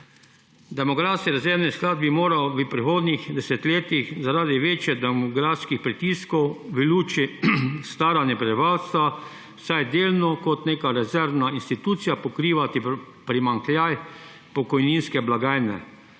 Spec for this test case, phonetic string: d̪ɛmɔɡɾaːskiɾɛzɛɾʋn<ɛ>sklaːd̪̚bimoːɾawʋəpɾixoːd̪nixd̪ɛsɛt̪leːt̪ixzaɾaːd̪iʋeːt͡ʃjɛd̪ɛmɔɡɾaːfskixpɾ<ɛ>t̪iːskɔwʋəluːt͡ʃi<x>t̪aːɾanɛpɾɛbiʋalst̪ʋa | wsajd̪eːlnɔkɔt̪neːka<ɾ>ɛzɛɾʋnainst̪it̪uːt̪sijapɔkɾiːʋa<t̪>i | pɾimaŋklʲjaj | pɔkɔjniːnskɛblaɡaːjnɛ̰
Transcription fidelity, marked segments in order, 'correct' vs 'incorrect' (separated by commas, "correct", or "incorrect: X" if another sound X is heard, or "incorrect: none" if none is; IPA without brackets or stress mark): incorrect: i, incorrect: i, incorrect: s, correct, correct